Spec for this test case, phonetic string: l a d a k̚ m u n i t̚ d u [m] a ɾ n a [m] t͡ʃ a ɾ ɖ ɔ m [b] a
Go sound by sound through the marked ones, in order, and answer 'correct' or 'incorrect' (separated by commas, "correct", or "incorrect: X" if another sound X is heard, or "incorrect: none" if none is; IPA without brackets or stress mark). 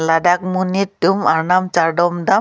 correct, correct, incorrect: d